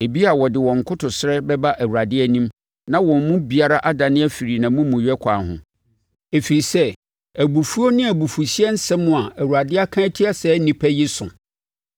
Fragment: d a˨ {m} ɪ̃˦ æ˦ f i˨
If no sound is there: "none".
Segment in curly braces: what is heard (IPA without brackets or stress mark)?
n